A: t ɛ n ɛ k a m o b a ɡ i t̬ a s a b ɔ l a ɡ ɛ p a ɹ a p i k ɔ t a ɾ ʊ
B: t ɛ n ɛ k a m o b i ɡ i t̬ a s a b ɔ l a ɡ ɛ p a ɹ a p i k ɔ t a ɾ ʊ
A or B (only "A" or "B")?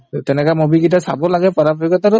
B